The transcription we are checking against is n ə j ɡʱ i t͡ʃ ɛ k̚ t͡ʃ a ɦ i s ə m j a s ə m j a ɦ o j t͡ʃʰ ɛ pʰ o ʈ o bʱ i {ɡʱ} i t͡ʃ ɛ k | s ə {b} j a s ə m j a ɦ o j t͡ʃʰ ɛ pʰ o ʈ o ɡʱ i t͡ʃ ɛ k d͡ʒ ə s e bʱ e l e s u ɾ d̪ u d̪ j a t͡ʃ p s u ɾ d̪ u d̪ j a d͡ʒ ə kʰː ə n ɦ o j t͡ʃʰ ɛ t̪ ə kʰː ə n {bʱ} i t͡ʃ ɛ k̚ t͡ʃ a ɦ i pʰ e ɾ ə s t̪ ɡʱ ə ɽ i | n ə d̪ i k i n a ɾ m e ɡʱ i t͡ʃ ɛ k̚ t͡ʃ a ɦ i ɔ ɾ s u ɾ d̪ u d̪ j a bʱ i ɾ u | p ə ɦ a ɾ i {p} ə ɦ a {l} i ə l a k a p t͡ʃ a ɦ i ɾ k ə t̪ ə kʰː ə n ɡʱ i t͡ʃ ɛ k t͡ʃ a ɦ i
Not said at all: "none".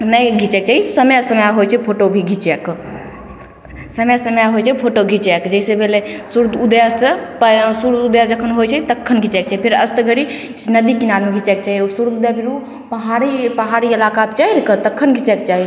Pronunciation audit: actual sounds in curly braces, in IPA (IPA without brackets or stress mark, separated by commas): ɡʱ, m, ɡʱ, p, ɾ